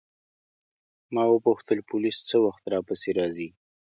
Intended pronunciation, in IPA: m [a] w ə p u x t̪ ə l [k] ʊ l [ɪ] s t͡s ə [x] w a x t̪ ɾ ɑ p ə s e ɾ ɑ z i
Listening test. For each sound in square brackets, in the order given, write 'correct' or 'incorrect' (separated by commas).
incorrect, incorrect, incorrect, incorrect